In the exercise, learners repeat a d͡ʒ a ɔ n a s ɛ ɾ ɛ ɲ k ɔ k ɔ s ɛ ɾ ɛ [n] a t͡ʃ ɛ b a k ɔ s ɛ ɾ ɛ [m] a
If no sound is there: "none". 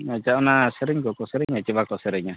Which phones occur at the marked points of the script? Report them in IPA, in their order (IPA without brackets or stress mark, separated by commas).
ɲ, ɲ